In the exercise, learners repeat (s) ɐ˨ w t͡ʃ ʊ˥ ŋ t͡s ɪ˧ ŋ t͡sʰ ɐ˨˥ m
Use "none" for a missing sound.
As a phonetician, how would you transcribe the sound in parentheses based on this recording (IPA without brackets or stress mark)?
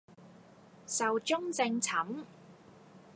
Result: s